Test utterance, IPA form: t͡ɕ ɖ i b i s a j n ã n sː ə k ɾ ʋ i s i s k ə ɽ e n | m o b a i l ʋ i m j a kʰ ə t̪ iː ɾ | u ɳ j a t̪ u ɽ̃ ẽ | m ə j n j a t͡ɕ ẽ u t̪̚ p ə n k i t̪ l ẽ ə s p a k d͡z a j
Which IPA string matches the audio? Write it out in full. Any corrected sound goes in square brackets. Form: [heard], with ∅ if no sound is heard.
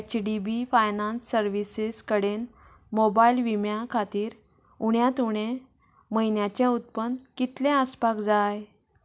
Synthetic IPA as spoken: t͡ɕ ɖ i b i [f] a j n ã n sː ə [∅] ɾ ʋ i s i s k ə ɽ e n | m o b a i l ʋ i m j a kʰ [a] t̪ iː ɾ | u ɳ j a t̪ u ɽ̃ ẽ | m ə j n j a t͡ɕ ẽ u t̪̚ p ə n k i t̪ l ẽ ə s p a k d͡z a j